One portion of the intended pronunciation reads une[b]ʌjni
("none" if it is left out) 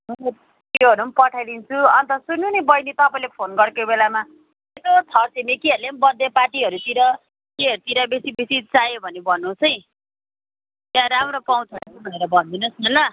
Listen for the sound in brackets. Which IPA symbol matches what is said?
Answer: b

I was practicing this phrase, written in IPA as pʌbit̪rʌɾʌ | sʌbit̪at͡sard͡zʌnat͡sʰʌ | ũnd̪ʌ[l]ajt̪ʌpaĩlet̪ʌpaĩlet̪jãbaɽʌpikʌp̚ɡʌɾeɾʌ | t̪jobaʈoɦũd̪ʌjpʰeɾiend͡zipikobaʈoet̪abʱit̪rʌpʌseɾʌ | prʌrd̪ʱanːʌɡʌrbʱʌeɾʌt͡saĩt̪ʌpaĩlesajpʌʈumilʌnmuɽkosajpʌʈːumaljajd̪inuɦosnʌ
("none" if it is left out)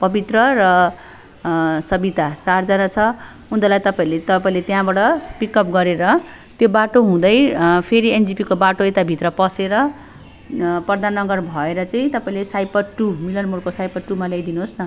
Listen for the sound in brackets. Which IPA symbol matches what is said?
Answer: l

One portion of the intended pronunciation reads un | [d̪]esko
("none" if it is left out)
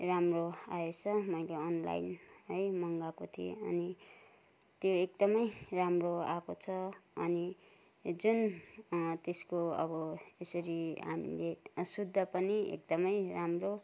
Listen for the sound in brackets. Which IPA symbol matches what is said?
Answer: t̪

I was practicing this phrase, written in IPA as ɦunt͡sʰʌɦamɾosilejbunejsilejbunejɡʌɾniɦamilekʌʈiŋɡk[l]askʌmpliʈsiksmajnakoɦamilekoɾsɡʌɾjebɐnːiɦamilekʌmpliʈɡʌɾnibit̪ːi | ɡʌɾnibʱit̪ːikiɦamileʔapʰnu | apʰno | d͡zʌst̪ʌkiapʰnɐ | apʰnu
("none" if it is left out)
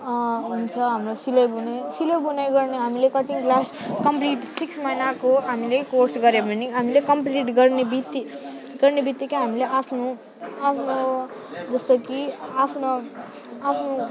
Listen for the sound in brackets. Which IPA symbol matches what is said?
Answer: l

